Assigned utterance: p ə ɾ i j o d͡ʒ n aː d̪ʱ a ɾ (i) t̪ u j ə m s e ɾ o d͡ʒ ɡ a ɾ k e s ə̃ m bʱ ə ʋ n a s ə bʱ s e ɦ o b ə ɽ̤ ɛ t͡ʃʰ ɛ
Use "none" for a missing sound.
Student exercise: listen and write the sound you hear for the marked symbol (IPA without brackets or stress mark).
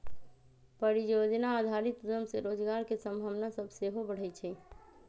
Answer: i